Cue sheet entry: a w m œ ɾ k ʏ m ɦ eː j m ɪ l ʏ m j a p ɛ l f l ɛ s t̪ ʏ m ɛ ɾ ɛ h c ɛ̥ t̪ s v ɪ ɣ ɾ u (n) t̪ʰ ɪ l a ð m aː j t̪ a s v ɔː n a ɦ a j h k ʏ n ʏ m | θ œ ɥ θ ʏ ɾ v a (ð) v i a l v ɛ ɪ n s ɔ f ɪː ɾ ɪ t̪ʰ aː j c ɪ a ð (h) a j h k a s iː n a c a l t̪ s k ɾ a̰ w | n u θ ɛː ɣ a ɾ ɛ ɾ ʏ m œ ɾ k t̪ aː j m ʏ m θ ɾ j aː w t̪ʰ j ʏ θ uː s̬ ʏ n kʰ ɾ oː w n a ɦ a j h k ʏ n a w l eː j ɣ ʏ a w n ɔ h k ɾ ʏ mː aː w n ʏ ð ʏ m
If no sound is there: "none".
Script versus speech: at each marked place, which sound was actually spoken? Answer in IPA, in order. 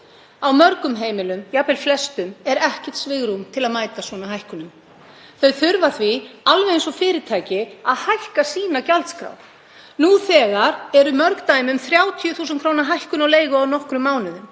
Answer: m, θ, h

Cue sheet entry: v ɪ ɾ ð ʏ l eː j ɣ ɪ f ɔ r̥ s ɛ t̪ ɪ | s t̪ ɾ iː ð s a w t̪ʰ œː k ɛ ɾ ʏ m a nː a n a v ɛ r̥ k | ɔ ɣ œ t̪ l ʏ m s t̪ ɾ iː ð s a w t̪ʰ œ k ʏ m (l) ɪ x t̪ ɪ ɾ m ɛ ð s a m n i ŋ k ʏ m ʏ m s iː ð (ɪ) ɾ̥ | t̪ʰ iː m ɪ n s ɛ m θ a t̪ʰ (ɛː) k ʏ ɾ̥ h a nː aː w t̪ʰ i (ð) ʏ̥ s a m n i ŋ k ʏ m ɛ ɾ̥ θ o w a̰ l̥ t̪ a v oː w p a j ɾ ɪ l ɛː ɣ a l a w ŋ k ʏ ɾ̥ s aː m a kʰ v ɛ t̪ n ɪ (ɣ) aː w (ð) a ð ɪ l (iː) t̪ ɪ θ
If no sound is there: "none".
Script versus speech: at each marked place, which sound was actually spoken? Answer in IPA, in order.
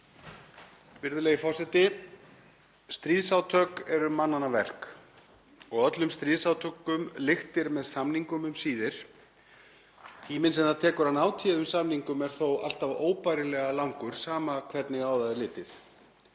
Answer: l, ɪ, ɛː, ð, ɣ, ð, ɪː

